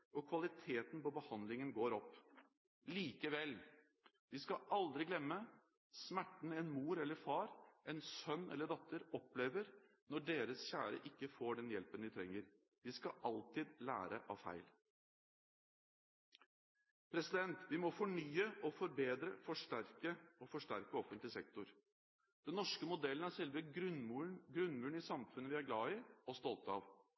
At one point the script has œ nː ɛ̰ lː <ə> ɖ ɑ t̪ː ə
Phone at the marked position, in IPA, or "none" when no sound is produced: ə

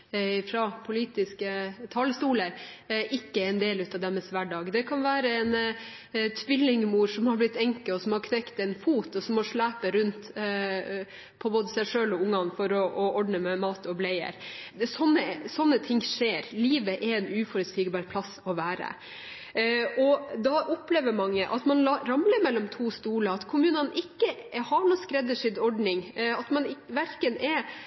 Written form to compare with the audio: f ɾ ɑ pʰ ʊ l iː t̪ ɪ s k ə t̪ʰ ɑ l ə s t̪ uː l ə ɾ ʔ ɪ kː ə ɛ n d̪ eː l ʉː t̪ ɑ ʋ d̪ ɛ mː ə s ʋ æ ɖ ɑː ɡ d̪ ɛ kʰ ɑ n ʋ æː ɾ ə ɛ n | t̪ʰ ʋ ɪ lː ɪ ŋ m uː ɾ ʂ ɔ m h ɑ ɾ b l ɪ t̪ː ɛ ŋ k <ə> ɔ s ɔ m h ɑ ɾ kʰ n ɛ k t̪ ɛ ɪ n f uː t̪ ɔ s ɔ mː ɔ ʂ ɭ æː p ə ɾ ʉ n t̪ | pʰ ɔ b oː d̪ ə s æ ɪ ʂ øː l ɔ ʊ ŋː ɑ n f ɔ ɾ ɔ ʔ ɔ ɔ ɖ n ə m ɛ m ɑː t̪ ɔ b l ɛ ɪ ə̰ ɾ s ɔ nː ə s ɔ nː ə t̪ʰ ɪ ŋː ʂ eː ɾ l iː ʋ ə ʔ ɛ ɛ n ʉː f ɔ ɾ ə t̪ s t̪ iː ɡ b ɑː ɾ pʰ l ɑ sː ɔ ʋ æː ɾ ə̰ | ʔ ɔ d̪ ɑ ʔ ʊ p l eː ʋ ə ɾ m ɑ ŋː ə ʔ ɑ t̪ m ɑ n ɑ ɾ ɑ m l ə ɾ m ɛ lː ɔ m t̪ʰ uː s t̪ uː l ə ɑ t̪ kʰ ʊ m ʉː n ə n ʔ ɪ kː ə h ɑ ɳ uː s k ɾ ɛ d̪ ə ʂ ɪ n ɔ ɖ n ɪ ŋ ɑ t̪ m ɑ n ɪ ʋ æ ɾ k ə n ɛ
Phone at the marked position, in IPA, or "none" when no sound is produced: ə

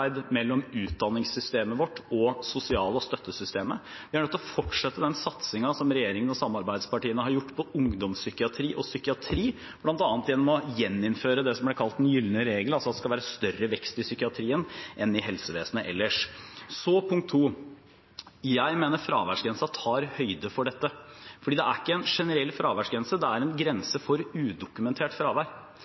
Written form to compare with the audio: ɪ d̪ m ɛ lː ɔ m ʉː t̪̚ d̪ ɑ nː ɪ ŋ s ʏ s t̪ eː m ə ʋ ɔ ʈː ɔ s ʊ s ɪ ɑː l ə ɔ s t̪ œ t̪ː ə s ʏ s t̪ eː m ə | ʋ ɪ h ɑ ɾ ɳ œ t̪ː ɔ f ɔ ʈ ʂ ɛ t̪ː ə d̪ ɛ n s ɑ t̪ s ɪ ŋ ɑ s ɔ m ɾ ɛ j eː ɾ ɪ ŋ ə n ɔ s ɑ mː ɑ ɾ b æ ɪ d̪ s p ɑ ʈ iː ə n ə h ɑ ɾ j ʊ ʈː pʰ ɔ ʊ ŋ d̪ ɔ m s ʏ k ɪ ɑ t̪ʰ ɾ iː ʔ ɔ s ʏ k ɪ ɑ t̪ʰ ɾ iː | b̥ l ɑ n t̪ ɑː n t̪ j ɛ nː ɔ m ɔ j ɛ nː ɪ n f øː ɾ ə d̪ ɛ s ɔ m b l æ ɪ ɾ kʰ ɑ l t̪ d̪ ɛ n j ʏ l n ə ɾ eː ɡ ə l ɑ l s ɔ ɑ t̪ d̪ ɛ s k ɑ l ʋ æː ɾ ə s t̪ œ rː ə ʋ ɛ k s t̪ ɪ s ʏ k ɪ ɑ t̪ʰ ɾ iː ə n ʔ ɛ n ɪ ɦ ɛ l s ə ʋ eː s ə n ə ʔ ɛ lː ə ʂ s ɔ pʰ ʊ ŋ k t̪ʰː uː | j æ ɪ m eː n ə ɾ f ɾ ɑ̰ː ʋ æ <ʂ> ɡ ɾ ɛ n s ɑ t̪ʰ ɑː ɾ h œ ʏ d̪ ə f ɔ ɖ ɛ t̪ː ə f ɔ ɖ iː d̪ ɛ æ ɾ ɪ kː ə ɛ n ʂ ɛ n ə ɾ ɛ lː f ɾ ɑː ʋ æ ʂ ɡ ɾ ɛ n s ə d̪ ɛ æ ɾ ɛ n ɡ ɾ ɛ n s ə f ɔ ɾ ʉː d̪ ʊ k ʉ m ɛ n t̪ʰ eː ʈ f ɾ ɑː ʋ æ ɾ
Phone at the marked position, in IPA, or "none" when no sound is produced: ʂ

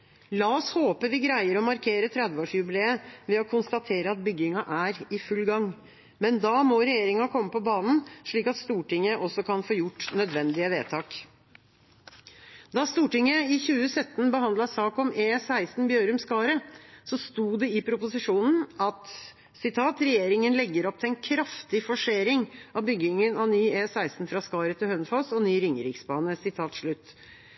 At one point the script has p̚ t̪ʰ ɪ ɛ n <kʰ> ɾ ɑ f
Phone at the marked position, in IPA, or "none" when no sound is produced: kʰ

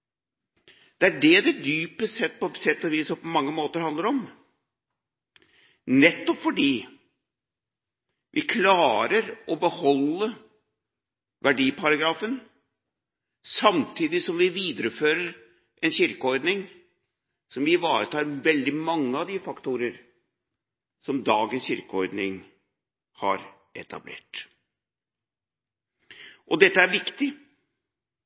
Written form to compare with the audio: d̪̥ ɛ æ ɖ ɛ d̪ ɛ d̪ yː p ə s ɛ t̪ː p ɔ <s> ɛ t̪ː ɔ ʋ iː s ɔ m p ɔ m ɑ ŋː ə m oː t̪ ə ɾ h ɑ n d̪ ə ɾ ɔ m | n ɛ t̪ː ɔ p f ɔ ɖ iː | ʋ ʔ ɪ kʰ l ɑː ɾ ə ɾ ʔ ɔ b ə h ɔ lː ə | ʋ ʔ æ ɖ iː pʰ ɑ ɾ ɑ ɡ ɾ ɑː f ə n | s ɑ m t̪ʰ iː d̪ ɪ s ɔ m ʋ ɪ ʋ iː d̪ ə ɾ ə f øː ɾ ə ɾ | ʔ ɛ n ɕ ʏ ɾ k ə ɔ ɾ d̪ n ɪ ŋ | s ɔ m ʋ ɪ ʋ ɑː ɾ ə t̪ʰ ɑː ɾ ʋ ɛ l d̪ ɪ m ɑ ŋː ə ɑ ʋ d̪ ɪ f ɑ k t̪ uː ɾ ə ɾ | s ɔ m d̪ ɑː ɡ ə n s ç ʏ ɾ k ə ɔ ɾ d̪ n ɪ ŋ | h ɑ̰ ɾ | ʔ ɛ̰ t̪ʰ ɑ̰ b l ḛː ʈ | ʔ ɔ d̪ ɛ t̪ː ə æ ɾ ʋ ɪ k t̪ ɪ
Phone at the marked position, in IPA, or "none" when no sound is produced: s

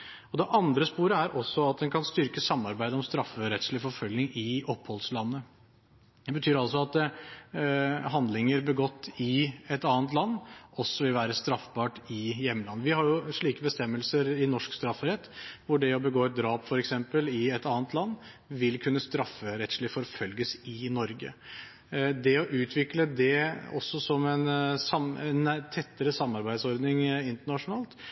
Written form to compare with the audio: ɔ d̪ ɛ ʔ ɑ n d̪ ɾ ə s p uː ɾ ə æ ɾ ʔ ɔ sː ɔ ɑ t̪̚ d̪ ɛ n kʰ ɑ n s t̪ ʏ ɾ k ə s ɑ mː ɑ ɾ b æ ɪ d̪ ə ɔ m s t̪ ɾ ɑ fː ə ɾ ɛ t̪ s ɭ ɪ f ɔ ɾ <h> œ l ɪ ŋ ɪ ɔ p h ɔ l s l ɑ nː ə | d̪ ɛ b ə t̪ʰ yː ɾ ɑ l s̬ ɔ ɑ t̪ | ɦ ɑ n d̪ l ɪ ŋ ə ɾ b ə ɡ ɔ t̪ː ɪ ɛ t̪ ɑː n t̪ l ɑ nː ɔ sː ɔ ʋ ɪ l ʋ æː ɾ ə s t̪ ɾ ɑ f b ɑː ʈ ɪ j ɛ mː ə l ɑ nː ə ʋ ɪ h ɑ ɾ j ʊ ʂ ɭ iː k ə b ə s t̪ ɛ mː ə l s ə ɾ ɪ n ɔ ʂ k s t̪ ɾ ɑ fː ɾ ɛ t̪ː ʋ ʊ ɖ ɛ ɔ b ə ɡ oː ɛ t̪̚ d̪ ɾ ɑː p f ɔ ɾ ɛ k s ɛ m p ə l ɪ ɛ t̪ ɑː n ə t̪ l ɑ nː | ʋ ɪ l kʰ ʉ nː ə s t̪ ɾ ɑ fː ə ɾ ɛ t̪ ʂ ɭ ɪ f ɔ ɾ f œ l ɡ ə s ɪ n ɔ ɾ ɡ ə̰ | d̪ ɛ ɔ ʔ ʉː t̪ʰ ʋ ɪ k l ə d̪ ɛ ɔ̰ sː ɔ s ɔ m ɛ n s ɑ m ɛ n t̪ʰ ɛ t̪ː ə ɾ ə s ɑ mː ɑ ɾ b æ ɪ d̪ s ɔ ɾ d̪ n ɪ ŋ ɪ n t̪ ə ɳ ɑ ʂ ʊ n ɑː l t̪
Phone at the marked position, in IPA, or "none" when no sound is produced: f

